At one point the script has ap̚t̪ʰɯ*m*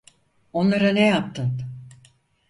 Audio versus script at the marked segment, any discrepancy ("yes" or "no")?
yes